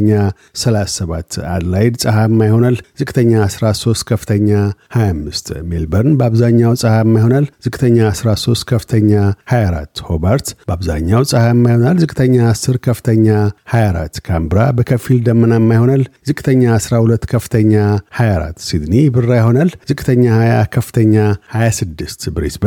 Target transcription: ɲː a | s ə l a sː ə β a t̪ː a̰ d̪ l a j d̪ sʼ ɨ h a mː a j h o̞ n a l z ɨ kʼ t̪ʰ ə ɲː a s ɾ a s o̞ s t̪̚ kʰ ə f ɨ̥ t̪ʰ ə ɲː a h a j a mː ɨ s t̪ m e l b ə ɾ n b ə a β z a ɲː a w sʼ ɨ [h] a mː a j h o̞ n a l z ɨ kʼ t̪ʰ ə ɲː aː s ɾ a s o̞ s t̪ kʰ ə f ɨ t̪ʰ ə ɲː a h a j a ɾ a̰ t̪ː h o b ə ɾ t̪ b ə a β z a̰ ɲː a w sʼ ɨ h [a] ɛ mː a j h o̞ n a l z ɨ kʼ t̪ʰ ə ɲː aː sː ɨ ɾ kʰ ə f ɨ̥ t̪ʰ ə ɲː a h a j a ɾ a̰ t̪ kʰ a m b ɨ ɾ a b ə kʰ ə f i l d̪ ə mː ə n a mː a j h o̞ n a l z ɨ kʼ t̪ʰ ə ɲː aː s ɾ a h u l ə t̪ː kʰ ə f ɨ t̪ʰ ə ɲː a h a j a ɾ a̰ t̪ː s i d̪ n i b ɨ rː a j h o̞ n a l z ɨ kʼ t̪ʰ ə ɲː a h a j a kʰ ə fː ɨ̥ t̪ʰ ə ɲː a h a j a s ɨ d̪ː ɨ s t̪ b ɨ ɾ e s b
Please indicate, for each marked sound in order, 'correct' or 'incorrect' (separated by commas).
correct, correct